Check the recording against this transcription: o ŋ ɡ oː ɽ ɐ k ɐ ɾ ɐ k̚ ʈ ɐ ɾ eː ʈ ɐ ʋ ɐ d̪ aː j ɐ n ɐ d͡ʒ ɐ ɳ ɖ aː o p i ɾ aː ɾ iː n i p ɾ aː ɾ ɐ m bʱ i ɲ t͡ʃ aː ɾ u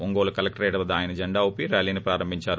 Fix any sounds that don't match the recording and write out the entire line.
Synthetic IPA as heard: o ŋ ɡ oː l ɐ k ɐ l ɐ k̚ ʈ ɐ ɾ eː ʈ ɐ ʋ ɐ d̪ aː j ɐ n ɐ d͡ʒ ɐ ɳ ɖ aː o p i ɾ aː l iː n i p ɾ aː ɾ ɐ m bʱ i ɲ t͡ʃ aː ɾ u